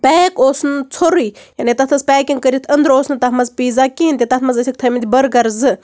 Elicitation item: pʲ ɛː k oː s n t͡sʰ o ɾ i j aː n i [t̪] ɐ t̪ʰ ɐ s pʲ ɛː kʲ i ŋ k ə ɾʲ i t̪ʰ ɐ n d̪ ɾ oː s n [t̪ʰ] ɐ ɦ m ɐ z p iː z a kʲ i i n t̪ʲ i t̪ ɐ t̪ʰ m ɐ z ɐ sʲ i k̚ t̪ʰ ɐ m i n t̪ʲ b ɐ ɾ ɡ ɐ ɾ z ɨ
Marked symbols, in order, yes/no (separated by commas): yes, no